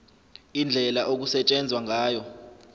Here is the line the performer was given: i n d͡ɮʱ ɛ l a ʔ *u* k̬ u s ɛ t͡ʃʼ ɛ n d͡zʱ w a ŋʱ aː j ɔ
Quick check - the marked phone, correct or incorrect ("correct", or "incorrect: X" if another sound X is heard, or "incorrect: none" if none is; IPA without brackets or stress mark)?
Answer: incorrect: o